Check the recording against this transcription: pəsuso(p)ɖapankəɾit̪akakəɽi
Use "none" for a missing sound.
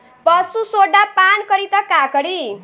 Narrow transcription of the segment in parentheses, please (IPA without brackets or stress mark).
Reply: none